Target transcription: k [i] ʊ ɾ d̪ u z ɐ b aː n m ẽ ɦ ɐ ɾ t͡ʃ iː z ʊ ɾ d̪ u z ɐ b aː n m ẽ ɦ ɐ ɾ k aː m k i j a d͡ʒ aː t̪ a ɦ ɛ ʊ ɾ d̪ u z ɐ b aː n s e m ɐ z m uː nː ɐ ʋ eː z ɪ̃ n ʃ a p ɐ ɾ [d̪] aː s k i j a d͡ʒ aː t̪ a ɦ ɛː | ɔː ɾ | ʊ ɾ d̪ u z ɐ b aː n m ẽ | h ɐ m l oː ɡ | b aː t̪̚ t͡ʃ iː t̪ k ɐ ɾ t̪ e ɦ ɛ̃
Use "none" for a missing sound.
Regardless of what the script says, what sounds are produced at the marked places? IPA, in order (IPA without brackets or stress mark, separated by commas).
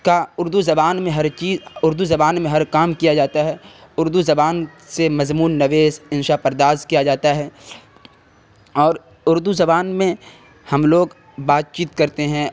a, d̪